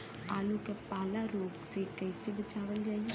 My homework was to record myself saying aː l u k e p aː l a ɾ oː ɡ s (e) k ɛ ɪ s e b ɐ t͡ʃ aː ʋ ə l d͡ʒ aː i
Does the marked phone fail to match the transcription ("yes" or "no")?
no